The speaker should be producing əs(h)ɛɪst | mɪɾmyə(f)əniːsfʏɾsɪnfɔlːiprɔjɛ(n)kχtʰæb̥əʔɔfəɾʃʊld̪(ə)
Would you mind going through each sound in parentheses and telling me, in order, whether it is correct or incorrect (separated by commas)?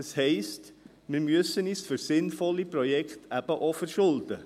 correct, incorrect, incorrect, correct